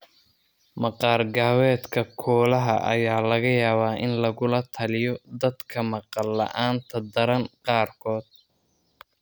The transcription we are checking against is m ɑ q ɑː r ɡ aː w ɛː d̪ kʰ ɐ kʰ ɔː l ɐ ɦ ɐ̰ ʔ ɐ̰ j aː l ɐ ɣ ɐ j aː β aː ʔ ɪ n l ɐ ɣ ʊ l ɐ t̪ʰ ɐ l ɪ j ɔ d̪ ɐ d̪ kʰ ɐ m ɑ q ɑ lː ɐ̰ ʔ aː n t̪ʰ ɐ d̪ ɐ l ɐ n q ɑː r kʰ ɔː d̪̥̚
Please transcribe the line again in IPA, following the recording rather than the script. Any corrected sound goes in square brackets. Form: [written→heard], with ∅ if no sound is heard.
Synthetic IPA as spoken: m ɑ q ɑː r ɡ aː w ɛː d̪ kʰ ɐ kʰ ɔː l ɐ ɦ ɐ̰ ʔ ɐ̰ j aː l ɐ ɣ ɐ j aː β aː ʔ ɪ n l ɐ ɣ ʊ l ɐ t̪ʰ ɐ l ɪ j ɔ d̪ ɐ d̪ kʰ ɐ m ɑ q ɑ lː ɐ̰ ʔ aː n t̪ʰ ɐ d̪ ɐ [l→ɾ] ɐ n q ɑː r kʰ ɔː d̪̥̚